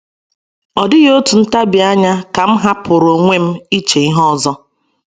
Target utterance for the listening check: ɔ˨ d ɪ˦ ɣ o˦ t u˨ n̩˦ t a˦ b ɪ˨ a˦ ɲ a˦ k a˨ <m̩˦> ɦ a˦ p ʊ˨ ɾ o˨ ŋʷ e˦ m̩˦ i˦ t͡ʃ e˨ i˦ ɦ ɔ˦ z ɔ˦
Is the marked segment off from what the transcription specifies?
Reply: no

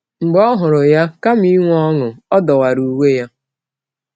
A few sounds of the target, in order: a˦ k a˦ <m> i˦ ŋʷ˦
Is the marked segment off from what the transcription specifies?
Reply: no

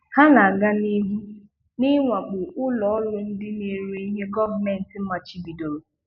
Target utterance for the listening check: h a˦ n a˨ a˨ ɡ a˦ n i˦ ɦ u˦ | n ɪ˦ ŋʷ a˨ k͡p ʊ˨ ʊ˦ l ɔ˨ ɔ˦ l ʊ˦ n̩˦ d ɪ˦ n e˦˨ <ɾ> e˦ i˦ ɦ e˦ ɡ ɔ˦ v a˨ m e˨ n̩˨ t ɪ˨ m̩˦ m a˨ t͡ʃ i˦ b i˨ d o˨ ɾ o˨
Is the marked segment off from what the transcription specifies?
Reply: no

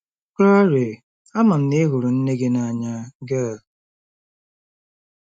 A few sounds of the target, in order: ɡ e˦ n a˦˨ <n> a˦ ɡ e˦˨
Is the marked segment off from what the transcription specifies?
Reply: yes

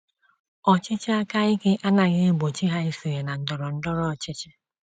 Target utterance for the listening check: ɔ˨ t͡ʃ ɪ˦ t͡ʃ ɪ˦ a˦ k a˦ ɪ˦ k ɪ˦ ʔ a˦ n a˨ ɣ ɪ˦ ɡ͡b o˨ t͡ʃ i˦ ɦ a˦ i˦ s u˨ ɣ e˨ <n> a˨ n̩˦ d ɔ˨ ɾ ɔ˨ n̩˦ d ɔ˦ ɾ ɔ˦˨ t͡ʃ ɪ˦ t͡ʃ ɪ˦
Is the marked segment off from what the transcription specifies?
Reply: no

